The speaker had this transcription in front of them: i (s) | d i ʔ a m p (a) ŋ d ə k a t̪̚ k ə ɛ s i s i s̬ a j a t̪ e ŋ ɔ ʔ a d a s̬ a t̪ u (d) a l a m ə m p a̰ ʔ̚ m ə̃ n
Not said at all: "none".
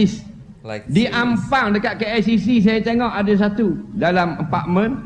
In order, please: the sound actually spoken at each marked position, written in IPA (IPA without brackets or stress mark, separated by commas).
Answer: s, a, d